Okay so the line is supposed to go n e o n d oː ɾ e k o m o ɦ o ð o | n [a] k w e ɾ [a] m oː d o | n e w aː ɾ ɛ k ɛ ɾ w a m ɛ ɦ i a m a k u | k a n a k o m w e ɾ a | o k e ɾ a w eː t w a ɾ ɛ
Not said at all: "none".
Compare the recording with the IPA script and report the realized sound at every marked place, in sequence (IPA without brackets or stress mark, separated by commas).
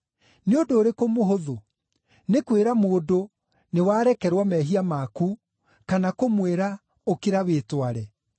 e, a